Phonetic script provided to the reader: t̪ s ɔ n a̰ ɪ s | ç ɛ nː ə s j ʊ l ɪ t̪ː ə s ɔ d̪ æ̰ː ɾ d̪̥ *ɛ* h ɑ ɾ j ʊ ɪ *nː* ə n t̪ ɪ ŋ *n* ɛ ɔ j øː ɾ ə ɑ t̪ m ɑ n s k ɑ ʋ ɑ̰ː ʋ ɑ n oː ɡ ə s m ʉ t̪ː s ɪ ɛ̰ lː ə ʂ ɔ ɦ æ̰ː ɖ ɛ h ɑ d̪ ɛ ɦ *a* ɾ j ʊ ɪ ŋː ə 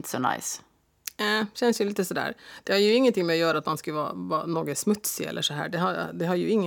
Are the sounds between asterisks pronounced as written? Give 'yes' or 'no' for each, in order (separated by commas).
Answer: yes, no, no, no